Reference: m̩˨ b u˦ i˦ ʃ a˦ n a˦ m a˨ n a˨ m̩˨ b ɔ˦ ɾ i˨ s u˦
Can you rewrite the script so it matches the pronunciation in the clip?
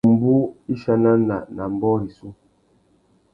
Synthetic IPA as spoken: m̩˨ b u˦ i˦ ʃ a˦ n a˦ n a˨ n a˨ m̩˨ b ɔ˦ ɾ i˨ s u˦